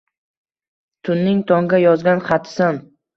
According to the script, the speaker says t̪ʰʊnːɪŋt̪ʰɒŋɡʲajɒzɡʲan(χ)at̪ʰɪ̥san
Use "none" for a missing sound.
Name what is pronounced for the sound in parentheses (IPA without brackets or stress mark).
χ